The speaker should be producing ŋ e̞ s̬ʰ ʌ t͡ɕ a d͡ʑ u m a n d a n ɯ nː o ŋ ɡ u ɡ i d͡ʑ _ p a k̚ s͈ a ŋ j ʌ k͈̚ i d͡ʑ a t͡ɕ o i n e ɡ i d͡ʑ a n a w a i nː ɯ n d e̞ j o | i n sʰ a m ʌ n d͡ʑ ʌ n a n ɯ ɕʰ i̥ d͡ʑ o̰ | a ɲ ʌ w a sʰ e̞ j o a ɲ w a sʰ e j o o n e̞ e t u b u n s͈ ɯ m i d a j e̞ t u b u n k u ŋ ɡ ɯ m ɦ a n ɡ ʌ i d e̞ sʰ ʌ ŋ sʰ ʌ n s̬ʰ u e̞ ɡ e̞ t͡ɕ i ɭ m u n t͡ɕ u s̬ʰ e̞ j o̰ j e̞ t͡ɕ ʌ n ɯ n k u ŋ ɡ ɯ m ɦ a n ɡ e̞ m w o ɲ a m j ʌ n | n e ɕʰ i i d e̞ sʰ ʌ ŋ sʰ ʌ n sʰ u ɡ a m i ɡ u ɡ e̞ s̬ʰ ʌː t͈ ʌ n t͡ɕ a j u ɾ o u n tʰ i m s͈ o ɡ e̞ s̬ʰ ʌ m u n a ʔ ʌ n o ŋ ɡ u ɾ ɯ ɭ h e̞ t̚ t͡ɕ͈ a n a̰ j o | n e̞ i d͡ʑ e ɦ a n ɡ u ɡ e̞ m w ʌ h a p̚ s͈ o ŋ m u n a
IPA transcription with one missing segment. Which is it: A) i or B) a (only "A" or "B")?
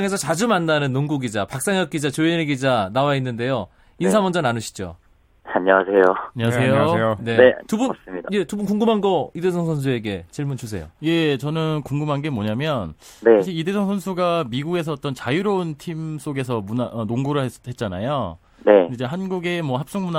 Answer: B